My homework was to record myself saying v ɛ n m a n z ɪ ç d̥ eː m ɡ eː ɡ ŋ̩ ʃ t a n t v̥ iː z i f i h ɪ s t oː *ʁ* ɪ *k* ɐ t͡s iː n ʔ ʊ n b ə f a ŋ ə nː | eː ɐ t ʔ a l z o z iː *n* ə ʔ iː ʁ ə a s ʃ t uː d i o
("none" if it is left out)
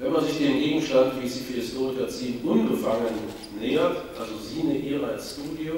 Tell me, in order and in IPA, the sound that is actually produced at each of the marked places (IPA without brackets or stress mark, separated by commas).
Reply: ʁ, k, n